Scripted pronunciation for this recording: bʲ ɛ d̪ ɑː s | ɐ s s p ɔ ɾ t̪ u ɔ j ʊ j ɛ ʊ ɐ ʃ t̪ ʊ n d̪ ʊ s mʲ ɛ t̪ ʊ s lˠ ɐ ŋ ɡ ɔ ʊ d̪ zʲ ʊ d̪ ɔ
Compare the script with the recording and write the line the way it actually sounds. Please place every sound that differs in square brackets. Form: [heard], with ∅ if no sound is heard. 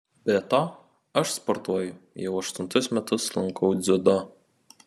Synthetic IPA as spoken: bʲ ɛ [t̪] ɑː [∅] | ɐ [ʃ] s p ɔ ɾ t̪ u ɔ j ʊ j ɛ ʊ ɐ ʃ t̪ ʊ n [t̪] ʊ s mʲ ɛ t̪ ʊ s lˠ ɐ ŋ [k] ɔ ʊ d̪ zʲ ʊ d̪ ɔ